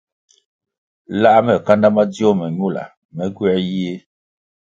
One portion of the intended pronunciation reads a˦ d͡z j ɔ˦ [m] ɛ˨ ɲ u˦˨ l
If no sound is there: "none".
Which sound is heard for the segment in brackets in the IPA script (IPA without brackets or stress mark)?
m